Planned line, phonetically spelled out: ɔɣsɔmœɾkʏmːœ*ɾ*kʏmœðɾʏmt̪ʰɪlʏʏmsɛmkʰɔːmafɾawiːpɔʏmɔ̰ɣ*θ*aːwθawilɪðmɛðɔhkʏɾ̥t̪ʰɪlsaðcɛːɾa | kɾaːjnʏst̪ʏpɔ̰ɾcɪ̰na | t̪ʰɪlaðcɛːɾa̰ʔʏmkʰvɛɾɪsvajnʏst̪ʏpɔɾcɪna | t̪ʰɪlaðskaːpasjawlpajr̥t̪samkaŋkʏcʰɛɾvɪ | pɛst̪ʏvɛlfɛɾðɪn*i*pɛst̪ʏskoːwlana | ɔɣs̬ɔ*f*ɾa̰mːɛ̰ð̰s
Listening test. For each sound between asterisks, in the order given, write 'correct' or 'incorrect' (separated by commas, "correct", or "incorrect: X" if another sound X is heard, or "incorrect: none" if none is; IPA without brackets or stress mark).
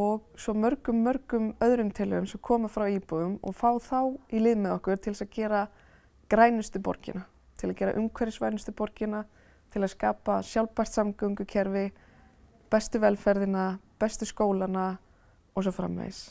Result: correct, incorrect: f, incorrect: a, correct